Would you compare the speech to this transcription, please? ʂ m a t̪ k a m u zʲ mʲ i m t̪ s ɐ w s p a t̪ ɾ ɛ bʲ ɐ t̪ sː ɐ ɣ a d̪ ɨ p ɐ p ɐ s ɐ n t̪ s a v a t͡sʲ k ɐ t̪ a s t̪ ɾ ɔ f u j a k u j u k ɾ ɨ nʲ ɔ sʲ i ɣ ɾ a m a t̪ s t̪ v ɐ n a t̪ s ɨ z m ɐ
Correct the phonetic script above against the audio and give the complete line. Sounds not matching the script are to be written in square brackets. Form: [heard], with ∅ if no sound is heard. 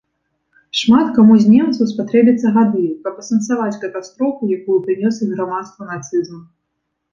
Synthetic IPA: ʂ m a t̪ k a m u zʲ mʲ [ɛ] m t̪ s ɐ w s p a t̪ ɾ ɛ bʲ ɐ t̪ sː ɐ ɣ a d̪ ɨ [k] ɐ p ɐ s ɐ n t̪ s a v a t͡sʲ k ɐ t̪ a s t̪ ɾ ɔ f u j a k u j u [p] ɾ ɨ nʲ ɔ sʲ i ɣ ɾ a m a t̪ s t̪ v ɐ n a t̪ s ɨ z m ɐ